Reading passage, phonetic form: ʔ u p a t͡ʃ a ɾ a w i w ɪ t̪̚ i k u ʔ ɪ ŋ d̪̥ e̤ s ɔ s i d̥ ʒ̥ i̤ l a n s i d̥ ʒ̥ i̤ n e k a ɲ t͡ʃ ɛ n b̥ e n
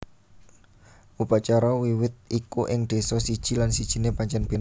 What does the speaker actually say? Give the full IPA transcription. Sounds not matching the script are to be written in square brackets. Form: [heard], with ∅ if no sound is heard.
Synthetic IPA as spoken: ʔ u p a t͡ʃ a ɾ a w i w ɪ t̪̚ i k u ʔ ɪ ŋ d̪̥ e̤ s ɔ s i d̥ ʒ̥ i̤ l a n s i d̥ ʒ̥ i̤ n e [p] a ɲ t͡ʃ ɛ n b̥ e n

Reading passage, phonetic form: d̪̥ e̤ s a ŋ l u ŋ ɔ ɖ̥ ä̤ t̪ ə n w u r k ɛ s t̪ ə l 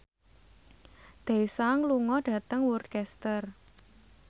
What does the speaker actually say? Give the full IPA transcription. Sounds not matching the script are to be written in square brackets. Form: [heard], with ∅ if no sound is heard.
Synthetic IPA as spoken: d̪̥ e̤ s a ŋ l u ŋ ɔ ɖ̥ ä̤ t̪ ə [ŋ] w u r k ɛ s t̪ ə [r]

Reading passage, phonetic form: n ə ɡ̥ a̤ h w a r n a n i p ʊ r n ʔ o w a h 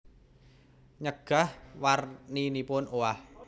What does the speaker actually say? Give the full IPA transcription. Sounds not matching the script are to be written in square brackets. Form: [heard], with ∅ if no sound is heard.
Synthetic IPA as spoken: [ɲ] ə ɡ̥ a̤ h w a r n [i] n i p ʊ [∅] n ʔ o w a h

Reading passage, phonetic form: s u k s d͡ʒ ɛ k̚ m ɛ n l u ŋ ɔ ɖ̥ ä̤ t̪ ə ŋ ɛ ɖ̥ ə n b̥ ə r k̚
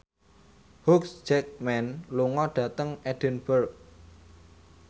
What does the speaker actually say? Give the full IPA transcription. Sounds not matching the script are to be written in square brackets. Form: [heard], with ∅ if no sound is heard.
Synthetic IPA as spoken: [h] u k s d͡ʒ ɛ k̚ m ɛ n l u ŋ ɔ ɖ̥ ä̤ t̪ ə ŋ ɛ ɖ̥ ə n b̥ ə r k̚

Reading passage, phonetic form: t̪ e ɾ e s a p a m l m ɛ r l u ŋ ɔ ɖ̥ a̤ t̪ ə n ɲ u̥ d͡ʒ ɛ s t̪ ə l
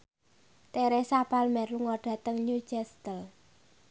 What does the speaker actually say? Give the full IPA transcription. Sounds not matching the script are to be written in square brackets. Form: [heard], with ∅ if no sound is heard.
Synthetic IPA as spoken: t̪ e ɾ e s a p a [∅] l m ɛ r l u ŋ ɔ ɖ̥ a̤ t̪ ə [ŋ] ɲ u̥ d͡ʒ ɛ s t̪ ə l

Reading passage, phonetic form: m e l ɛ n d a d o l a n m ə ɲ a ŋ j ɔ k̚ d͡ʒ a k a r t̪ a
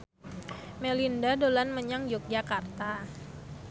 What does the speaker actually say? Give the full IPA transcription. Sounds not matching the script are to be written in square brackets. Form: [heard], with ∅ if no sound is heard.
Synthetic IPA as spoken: m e l [i] n d a d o l a n m ə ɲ a ŋ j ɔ k̚ d͡ʒ a k a r t̪ a

